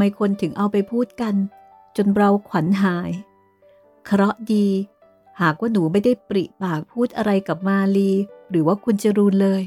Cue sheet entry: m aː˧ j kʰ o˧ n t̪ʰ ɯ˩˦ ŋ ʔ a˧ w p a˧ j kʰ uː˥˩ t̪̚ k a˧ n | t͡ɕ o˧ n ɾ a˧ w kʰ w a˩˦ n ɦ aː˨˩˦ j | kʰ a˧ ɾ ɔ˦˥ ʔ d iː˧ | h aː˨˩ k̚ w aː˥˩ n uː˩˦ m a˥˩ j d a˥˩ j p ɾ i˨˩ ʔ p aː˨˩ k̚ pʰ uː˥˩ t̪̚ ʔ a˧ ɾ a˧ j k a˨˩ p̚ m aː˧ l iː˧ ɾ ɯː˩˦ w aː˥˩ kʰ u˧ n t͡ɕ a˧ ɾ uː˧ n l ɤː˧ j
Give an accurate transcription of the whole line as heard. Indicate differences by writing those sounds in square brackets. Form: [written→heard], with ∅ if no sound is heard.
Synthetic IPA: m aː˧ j kʰ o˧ n t̪ʰ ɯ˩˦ ŋ ʔ a˧ w p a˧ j [kʰ→pʰ] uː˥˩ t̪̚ k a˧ n | t͡ɕ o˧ n ɾ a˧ w kʰ w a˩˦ n ɦ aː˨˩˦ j | kʰ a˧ ɾ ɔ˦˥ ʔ d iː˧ | h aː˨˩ k̚ w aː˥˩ n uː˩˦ m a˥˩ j d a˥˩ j p ɾ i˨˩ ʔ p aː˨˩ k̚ pʰ uː˥˩ t̪̚ ʔ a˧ ɾ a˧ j k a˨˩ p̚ m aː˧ l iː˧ ɾ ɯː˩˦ w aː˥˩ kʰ u˧ n t͡ɕ [a˧→a˨˩] ɾ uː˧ n l ɤː˧ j